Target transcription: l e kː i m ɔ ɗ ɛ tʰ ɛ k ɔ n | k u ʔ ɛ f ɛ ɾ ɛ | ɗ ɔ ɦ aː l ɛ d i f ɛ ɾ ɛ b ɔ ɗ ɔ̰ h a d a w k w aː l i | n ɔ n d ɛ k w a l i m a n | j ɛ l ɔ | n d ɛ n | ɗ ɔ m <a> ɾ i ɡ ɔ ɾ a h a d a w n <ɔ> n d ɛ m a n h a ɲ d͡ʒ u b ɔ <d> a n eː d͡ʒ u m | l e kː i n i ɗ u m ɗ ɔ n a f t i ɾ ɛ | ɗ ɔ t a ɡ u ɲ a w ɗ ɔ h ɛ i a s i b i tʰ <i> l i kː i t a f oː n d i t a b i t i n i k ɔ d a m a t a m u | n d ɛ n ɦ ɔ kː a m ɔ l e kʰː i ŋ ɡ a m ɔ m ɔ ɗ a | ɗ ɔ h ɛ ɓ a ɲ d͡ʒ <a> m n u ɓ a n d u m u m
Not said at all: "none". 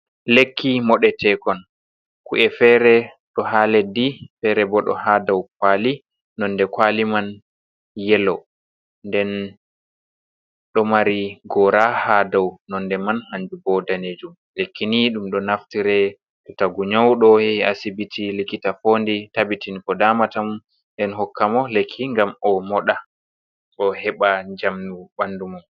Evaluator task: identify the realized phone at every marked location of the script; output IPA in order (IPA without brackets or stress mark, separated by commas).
a, ɔ, d, i, a